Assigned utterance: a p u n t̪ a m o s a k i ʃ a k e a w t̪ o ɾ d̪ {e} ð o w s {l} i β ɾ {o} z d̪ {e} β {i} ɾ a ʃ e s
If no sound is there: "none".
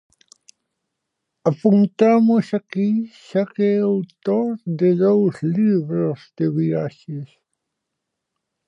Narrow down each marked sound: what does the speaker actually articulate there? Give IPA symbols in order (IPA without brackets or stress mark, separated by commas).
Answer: e, l, o, e, i